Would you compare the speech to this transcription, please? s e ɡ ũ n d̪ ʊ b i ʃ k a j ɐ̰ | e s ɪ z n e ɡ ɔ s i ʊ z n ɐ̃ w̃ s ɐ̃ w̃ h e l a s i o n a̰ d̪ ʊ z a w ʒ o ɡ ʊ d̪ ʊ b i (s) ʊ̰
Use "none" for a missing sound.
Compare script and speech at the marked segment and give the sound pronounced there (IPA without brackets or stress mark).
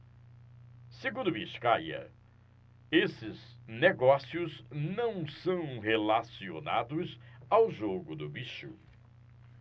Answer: ʃ